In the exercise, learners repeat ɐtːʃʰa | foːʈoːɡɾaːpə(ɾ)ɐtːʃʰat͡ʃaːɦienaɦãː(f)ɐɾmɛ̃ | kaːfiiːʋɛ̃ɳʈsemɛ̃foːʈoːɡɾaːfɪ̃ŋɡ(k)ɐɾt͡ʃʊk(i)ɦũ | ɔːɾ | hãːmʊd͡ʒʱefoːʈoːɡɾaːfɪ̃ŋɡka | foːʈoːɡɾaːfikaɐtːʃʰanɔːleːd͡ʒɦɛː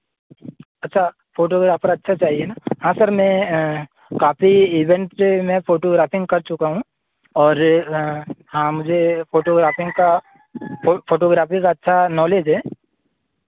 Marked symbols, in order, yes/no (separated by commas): yes, no, yes, no